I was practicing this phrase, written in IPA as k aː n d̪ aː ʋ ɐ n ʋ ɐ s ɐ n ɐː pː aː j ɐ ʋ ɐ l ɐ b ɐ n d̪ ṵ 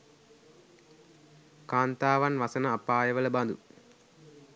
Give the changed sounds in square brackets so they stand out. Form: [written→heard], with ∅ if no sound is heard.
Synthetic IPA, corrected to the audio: k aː n [d̪→t̪] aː ʋ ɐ n ʋ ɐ s ɐ n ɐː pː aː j ɐ ʋ ɐ l ɐ b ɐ n d̪ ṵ